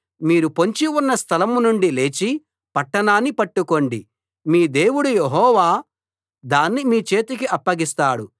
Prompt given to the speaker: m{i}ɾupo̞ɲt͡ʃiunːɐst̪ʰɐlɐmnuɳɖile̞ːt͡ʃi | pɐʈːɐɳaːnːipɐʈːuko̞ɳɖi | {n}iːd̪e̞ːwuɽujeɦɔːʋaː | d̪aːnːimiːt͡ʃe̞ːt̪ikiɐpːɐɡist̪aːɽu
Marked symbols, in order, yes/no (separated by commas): no, no